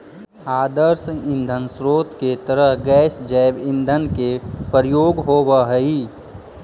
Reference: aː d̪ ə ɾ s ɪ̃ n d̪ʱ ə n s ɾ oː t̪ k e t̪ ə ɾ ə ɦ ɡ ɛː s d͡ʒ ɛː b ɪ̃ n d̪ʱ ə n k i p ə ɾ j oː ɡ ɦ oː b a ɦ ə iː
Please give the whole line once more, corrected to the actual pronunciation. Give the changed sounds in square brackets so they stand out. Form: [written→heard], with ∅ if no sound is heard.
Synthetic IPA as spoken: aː d̪ ə ɾ s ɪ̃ n d̪ʱ ə n s ɾ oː t̪ k e t̪ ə ɾ ə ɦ ɡ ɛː s d͡ʒ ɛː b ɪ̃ n d̪ʱ ə n k [i→e] p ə ɾ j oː ɡ ɦ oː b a ɦ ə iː